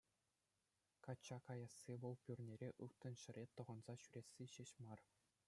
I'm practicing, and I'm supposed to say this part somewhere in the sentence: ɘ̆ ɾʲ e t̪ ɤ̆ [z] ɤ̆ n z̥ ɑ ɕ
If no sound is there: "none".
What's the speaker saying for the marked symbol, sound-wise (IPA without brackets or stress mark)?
ʁ